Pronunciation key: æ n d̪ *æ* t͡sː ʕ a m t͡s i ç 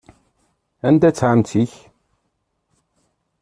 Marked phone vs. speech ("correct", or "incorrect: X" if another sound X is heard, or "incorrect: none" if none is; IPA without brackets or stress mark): correct